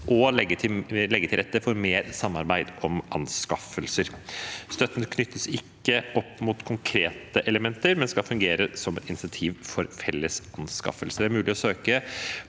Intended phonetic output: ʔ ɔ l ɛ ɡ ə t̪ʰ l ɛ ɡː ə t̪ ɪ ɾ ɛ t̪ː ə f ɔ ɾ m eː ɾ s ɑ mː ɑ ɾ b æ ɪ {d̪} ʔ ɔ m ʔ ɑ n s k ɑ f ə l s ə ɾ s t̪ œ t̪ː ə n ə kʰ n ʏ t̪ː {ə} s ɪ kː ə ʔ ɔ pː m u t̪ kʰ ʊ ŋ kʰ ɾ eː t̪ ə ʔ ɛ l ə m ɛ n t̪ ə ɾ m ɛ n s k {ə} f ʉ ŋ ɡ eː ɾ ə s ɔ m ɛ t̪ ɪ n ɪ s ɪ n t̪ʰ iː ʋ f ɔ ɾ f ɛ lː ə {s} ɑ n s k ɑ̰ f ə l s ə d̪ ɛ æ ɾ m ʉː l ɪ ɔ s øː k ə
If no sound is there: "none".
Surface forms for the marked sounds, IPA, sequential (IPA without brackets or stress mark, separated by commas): d̪, ə, ɑ, s